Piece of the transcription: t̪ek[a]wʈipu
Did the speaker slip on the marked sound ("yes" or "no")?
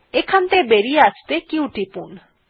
yes